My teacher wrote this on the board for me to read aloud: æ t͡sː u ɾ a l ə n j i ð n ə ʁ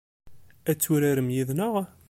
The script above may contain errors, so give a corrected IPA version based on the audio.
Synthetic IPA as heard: æ t͡sː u ɾ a ɾ ə m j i ð n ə ʁ